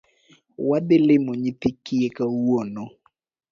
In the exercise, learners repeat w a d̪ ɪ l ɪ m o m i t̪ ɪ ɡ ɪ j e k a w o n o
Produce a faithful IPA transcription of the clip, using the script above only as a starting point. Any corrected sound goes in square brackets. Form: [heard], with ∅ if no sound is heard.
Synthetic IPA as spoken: w a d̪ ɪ l ɪ m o [ɲ] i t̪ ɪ [k] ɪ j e k a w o n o